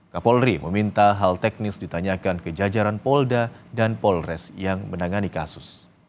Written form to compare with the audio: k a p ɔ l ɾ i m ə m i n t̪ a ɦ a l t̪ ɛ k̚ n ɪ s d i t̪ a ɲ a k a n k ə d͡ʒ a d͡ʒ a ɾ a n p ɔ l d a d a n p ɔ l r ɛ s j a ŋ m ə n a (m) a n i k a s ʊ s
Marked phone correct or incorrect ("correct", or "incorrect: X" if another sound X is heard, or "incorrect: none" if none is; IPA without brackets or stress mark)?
incorrect: ŋ